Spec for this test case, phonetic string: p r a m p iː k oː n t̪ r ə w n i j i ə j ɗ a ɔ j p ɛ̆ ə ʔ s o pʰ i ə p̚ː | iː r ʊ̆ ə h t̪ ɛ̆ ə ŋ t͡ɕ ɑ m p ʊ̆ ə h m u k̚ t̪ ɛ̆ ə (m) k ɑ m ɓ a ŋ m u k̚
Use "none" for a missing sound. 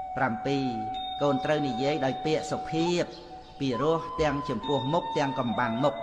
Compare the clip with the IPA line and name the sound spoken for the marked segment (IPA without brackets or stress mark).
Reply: ŋ